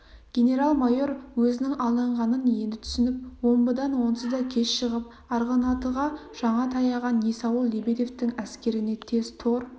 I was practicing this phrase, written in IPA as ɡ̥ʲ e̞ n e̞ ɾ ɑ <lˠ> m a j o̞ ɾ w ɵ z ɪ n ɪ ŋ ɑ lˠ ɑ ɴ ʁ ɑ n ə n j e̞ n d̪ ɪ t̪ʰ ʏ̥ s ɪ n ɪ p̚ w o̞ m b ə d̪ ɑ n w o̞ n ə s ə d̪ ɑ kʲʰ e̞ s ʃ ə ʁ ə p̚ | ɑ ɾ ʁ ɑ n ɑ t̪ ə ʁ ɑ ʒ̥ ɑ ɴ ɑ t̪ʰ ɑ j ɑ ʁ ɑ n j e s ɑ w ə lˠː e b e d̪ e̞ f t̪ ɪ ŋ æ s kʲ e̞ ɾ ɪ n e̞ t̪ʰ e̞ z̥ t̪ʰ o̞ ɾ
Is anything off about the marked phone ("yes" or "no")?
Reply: no